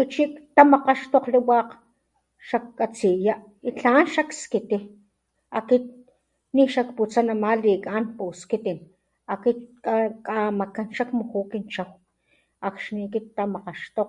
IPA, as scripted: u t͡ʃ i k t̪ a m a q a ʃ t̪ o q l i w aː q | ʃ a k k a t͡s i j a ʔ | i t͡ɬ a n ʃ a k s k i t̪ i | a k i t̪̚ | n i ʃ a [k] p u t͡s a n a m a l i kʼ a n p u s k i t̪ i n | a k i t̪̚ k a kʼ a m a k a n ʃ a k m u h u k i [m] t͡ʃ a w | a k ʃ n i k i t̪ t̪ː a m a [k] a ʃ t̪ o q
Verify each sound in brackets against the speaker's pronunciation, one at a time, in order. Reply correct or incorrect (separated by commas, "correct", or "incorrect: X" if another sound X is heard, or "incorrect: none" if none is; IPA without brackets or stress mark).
correct, incorrect: n, incorrect: q